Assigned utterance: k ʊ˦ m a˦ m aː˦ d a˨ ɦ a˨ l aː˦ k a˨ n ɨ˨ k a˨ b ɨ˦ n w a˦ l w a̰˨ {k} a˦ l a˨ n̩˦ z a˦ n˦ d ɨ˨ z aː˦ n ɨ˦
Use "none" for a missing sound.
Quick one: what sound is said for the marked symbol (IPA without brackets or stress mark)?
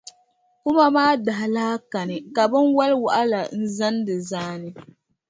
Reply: ʔ